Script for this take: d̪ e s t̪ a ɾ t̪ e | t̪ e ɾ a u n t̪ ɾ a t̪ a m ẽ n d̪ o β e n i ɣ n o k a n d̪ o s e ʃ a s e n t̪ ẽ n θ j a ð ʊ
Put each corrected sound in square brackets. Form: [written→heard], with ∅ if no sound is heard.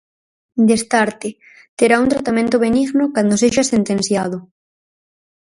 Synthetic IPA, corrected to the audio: d̪ e s t̪ a ɾ t̪ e | t̪ e ɾ a u n t̪ ɾ a t̪ a m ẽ n [d̪→t̪] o β e n i ɣ n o k a n d̪ o s e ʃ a s e n t̪ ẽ n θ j a ð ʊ